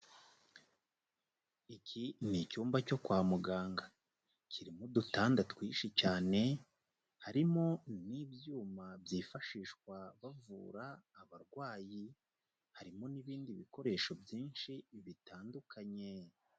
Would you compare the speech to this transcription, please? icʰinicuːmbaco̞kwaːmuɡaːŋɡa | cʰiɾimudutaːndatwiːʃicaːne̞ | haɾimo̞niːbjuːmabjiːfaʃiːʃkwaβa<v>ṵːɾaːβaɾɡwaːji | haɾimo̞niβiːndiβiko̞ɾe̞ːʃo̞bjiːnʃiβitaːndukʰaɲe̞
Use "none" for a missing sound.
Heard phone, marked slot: v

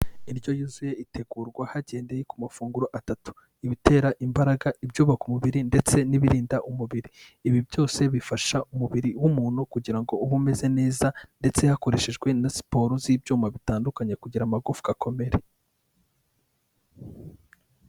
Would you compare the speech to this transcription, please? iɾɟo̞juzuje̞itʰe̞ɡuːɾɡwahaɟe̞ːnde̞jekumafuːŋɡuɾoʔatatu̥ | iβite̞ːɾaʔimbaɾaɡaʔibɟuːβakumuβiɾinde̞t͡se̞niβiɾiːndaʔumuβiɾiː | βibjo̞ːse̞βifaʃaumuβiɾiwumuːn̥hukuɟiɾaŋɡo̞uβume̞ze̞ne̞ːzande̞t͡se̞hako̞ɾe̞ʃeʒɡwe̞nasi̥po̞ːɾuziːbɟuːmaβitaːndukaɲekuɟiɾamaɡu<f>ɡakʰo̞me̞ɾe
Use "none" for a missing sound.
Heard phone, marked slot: f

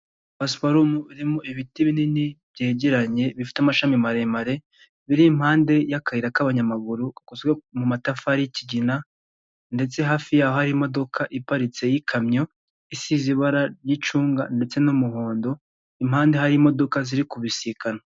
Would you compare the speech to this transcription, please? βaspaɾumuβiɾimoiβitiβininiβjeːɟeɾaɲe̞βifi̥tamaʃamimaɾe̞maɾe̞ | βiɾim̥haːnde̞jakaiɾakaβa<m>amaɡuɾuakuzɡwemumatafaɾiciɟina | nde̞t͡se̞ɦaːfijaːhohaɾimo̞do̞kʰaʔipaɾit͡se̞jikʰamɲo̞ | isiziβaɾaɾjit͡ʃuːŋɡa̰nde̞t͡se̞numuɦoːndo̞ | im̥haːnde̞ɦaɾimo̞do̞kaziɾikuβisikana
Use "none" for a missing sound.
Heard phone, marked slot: ɲ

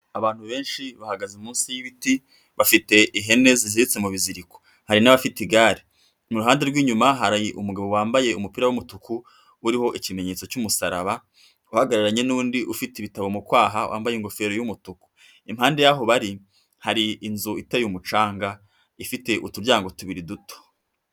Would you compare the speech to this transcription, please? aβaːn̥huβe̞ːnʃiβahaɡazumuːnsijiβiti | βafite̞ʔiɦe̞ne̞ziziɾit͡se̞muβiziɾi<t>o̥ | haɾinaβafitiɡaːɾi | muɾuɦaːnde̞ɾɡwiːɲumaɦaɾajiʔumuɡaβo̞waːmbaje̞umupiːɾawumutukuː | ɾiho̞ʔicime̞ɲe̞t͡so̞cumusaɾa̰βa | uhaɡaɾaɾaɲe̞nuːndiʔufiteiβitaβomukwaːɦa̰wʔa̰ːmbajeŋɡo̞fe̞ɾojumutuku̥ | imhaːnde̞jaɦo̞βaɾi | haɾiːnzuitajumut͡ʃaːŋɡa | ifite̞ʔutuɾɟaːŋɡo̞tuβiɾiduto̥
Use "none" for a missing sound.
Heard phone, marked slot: k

